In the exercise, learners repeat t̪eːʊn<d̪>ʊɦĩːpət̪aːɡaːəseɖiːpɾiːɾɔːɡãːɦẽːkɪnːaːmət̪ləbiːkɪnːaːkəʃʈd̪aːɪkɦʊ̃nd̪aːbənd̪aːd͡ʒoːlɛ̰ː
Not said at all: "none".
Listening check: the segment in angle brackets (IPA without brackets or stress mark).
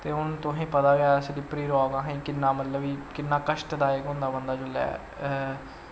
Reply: t̪